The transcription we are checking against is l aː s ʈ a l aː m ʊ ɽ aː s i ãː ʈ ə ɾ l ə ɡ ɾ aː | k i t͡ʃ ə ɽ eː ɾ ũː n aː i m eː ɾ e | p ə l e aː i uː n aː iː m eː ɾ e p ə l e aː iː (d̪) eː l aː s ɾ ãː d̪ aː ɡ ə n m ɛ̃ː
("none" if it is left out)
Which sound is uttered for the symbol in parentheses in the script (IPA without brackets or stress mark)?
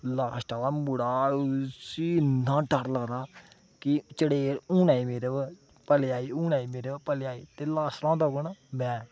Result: t̪